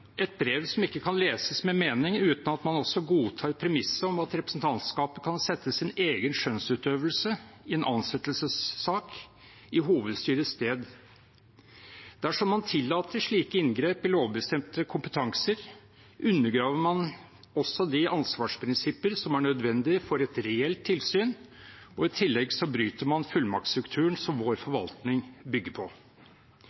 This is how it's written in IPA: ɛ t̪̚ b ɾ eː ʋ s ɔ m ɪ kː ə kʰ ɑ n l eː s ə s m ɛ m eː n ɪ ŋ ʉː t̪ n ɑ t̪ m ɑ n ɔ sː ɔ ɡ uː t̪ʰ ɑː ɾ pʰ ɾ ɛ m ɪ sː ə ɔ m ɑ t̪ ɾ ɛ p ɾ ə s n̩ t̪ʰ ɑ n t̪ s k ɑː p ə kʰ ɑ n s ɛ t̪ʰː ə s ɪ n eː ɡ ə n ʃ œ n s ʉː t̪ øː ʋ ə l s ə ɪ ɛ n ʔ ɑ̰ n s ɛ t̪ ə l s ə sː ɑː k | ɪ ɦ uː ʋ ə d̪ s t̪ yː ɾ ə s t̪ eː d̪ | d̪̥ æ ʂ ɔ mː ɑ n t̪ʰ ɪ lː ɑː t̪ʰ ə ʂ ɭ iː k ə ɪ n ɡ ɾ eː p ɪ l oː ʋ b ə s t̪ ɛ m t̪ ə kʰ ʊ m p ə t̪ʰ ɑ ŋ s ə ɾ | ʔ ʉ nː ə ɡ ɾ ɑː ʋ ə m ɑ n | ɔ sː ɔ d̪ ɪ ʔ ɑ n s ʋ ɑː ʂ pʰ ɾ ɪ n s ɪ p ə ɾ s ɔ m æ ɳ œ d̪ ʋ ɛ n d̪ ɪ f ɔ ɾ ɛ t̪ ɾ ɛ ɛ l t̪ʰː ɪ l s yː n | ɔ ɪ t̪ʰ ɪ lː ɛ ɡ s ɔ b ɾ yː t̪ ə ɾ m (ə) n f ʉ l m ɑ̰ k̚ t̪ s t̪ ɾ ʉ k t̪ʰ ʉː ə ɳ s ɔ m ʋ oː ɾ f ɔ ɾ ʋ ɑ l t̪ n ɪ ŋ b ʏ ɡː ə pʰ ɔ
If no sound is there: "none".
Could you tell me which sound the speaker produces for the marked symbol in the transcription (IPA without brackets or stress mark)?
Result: ɑ